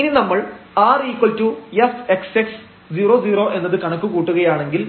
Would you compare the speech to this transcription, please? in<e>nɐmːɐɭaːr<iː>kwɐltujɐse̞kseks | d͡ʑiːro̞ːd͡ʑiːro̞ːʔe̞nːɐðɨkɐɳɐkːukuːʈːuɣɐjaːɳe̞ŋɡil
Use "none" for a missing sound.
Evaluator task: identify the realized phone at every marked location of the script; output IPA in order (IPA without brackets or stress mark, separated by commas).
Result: i, iː